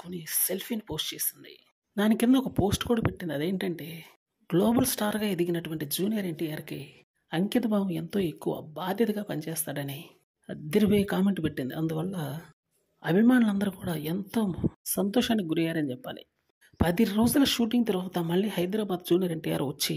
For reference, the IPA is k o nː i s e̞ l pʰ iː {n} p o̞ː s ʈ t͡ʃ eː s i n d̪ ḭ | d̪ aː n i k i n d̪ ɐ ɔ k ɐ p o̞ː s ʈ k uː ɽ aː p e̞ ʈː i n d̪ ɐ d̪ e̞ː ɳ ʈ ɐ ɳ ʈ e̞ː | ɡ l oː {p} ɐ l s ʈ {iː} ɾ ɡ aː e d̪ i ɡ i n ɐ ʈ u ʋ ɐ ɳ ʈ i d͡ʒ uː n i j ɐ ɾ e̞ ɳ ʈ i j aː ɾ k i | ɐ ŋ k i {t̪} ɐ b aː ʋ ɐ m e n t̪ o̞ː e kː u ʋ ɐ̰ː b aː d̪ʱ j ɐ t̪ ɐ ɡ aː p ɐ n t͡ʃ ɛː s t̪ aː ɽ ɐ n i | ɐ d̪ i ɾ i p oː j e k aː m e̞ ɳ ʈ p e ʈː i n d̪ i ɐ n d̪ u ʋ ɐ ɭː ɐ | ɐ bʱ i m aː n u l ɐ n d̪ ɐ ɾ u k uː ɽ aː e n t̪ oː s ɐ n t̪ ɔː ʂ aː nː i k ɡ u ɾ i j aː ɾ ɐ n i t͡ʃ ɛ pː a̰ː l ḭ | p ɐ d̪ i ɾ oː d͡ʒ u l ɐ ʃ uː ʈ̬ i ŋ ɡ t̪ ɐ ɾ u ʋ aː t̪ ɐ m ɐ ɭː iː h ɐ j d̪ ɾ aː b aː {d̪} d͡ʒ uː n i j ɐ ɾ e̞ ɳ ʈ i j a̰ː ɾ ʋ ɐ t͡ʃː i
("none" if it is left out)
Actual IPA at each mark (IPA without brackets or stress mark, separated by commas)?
n, b, aː, t̪, d̪